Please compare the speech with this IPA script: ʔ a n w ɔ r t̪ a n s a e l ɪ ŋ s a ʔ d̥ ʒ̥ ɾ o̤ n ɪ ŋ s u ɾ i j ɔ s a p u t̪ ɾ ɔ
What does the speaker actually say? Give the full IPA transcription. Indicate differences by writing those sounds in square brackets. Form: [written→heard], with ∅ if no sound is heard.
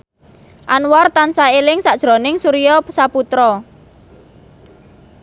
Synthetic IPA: ʔ a n w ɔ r t̪ a n s a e l ɪ ŋ s a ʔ d̥ ʒ̥ ɾ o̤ n ɪ ŋ s u ɾ i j ɔ s a p u t̪ ɾ ɔ